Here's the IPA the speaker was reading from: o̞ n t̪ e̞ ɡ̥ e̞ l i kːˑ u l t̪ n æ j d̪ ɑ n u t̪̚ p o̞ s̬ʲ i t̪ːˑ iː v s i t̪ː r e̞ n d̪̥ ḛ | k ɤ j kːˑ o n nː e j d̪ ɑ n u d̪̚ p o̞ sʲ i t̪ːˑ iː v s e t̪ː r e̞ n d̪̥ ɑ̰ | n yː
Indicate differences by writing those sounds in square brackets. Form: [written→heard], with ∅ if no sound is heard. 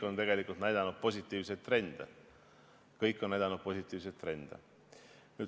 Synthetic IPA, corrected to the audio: o̞ n t̪ e̞ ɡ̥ e̞ l i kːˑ u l t̪ n æ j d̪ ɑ n u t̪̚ p o̞ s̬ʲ i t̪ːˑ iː v s [i→e] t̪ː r e̞ n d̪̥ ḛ | k ɤ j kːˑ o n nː [e→æ] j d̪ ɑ n u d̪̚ p o̞ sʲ i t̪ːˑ iː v s e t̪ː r e̞ n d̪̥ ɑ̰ | n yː